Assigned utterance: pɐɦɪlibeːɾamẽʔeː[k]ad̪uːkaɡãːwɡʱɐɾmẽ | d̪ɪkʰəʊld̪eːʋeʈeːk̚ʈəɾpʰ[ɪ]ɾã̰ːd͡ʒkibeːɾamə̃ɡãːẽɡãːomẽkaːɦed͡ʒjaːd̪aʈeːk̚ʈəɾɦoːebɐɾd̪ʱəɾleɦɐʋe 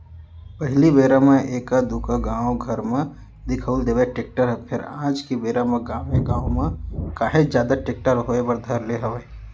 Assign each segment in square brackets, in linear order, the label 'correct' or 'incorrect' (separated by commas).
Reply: correct, correct